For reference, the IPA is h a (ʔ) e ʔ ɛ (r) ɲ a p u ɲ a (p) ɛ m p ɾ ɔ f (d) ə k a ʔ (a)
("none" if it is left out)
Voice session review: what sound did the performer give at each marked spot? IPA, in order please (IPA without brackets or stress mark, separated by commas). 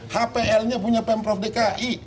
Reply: p, l, p, d, i